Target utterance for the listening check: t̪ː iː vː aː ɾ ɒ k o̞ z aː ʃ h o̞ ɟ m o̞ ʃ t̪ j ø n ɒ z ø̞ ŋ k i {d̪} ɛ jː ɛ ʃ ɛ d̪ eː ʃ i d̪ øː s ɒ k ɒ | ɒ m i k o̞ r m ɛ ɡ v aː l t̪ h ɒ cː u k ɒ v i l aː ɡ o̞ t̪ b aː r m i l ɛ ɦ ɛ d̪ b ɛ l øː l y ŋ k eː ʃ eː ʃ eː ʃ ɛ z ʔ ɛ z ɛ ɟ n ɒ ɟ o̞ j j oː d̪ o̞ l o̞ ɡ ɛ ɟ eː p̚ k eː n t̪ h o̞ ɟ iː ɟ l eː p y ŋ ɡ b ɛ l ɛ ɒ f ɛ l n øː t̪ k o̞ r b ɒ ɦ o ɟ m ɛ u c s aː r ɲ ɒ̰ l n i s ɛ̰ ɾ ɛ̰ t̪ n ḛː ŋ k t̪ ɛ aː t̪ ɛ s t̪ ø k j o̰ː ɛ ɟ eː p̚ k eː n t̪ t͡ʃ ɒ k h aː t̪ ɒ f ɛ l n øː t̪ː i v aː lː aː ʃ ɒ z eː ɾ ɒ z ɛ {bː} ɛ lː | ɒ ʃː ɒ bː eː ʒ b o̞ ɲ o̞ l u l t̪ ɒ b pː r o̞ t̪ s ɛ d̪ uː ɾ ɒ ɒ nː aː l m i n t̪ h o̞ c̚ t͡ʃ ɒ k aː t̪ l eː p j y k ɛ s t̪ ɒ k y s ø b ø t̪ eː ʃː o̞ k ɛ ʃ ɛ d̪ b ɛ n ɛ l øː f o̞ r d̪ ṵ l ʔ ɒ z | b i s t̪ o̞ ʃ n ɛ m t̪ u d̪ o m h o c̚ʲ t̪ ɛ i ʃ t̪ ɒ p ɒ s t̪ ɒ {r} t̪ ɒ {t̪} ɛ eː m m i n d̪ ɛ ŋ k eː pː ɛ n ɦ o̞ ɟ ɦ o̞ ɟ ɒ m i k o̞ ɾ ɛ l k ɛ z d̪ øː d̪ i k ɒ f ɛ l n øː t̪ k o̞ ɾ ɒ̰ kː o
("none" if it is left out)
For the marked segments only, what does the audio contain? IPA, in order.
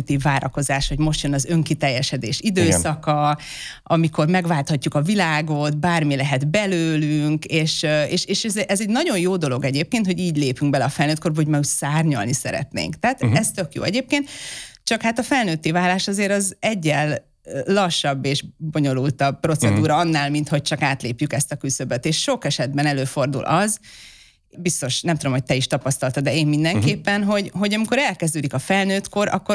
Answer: t̪, ɟː, l, d̪

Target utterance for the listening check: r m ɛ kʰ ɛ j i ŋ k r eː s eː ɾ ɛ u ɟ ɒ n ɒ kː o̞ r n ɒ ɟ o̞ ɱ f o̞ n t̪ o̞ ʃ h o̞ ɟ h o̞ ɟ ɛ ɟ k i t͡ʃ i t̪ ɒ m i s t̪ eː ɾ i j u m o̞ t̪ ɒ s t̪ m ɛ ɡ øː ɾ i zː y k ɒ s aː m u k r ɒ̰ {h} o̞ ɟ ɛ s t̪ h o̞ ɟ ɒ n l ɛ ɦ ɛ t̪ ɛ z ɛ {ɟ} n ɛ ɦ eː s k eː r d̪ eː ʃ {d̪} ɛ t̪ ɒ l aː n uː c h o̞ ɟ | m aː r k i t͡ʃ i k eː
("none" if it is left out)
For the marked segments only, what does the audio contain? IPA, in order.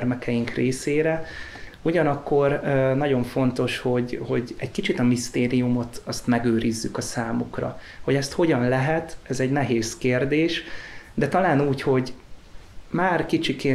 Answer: h, ɟ, d̪

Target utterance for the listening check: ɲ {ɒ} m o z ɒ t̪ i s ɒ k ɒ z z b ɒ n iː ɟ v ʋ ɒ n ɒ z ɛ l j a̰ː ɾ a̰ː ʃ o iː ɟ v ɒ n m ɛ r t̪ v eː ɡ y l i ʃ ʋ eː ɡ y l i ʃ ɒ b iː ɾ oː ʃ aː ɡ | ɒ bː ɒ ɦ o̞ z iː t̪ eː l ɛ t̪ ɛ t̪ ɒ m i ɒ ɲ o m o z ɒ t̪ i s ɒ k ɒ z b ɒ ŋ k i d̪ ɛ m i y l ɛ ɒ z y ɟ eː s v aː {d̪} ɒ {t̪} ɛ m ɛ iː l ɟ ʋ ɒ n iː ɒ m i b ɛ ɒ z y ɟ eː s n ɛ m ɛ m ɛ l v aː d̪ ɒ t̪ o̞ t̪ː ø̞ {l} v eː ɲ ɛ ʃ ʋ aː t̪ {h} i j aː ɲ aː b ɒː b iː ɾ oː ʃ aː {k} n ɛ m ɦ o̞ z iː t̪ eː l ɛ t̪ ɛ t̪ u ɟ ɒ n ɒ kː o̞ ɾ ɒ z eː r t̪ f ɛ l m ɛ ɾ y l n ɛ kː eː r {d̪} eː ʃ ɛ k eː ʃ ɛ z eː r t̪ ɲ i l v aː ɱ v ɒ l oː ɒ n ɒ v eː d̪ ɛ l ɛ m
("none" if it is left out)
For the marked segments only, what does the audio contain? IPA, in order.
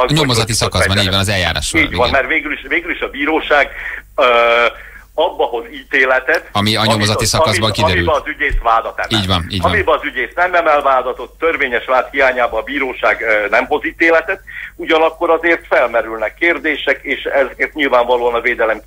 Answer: o, d̪, t̪, r, h, ɡ, d̪

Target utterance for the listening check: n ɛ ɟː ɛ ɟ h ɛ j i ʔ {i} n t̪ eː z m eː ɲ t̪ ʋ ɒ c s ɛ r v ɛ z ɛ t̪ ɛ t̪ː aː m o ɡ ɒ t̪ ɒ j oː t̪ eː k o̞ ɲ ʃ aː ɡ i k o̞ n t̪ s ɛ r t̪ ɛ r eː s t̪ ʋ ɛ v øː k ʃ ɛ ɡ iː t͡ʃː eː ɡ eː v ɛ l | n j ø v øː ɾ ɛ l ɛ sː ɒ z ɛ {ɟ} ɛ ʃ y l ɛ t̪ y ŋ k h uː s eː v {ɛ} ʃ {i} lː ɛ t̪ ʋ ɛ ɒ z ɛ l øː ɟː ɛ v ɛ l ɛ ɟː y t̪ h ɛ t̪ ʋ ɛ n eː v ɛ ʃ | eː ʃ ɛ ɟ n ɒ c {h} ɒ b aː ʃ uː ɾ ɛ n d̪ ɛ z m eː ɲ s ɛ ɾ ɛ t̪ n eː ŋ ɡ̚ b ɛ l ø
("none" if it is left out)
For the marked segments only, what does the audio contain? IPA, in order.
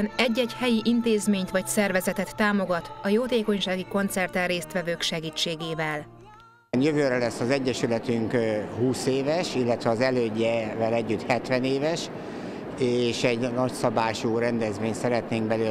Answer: i, ɟː, ɛ, i, s

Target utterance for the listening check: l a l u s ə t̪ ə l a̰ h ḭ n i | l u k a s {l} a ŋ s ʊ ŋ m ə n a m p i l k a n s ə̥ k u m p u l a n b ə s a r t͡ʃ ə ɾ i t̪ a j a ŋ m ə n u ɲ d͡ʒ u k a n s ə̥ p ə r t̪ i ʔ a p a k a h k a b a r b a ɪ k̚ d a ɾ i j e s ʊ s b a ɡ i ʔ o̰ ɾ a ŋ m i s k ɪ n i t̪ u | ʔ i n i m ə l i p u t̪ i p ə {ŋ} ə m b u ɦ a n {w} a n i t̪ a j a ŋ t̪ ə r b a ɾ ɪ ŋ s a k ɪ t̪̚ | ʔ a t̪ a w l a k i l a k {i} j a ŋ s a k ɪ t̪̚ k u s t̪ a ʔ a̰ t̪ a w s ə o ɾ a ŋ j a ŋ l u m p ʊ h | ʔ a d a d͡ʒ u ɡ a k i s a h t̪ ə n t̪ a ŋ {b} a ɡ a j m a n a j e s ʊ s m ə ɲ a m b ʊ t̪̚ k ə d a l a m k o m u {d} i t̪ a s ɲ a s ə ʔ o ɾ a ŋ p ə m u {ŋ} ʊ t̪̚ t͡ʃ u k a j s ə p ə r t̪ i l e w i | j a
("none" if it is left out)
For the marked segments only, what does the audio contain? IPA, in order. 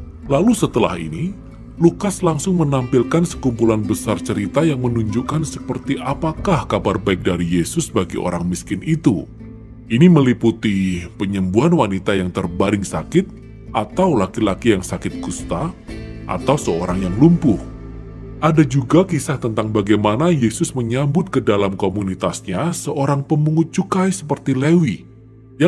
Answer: l, ɲ, w, i, b, n, ŋ

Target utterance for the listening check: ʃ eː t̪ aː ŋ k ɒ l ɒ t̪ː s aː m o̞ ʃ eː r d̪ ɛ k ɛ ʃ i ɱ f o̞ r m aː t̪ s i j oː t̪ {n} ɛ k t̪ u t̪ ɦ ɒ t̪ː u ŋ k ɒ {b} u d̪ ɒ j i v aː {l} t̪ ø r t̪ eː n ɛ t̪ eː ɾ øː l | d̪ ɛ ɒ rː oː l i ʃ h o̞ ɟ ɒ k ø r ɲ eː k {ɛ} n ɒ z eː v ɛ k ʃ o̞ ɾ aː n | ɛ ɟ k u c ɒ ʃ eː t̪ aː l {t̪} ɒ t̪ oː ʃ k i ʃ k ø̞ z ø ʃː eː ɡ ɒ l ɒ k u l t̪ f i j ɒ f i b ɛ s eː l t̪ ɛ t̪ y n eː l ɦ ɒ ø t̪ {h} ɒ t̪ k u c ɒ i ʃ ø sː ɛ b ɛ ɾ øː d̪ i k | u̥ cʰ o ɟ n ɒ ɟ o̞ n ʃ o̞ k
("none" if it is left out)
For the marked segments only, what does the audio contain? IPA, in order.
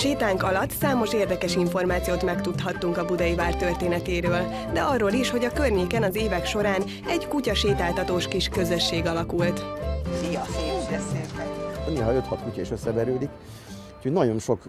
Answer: m, b, r, ɛ, t̪, h

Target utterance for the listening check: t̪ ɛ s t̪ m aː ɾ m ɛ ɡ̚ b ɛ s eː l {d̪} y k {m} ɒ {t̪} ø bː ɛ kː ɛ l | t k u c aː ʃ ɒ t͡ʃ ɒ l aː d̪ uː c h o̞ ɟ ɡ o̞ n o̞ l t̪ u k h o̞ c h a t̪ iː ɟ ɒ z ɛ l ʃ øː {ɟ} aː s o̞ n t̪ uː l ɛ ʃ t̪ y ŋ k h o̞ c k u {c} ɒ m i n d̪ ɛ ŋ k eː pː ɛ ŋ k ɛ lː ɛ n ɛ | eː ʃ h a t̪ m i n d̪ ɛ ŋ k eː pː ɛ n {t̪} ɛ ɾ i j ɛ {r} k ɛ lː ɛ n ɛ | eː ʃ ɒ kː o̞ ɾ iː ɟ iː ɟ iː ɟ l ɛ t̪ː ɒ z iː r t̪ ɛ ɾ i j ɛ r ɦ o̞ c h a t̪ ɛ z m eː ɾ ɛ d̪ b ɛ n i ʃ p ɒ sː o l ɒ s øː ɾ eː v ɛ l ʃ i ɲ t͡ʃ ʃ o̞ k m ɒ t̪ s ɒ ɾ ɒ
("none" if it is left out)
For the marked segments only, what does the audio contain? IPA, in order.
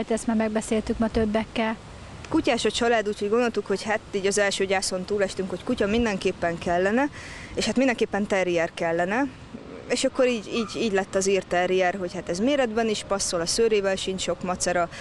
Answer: t̪, m, t̪, ɟ, c, t̪, r

